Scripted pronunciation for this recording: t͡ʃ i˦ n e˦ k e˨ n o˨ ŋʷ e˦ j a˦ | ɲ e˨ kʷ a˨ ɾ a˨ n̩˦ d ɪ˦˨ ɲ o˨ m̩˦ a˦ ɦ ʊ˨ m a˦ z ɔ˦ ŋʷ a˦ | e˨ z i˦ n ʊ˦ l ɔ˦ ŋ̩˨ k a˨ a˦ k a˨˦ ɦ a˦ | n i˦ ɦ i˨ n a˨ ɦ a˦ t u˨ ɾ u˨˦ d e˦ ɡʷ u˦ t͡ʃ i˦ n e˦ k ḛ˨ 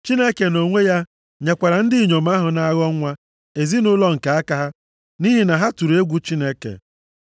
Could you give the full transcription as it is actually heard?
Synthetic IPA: t͡ʃ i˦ n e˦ k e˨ n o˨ ŋʷ e˦ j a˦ | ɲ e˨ kʷ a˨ ɾ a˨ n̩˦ d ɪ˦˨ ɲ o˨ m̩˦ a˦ ɦ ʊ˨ n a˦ ɣ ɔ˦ ŋʷ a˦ | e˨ z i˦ n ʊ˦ l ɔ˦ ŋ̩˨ k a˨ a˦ k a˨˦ ɦ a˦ | n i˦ ɦ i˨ n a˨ ɦ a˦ t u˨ ɾ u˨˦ e˦ ɡʷ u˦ t͡ʃ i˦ n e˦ k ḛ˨